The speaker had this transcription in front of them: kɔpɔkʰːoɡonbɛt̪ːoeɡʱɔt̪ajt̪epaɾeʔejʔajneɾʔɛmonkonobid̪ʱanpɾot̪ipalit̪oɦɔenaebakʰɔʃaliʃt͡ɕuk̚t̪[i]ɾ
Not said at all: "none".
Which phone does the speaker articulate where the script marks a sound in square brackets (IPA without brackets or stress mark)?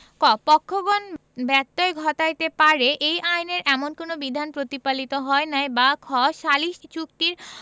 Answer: i